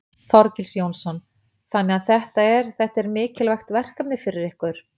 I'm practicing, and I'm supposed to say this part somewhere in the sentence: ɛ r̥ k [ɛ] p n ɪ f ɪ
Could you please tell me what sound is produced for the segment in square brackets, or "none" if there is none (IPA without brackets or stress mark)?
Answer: a